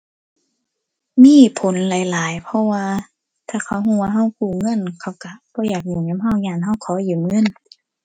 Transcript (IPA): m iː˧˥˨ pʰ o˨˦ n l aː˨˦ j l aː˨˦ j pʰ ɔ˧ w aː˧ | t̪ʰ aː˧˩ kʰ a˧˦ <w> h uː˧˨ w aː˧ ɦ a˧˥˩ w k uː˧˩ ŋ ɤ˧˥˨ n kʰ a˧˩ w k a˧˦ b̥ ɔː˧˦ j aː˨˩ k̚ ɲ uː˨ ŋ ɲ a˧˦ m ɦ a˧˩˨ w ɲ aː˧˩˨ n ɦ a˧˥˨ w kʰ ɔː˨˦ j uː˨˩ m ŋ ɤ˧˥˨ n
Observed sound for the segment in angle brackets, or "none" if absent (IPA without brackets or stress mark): w